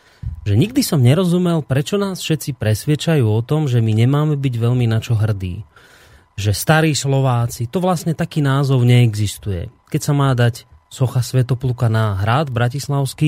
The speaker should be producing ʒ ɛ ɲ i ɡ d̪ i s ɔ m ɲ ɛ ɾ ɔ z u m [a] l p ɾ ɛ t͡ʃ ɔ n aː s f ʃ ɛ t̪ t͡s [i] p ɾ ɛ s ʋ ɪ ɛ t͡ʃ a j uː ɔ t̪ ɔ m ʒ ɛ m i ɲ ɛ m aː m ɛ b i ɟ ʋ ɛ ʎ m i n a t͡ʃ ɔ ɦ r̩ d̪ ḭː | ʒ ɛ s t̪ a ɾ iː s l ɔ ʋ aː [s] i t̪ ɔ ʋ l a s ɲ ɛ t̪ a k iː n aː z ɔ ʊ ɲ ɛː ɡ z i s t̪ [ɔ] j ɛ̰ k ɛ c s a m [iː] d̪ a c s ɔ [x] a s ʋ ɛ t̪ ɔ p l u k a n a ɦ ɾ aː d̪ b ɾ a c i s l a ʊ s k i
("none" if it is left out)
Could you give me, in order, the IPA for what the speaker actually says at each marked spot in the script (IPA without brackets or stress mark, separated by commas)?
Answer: ɛ, i, t͡s, u, aː, x